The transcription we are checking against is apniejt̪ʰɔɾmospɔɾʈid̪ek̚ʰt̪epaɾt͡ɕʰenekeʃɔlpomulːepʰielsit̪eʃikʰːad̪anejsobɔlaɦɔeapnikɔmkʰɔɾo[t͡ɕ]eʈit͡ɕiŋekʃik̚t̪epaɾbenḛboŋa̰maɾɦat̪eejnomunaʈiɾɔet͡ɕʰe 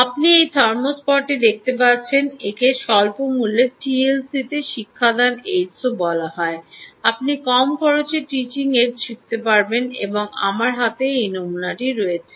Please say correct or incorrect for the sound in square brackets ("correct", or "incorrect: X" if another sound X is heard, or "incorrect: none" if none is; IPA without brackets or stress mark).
correct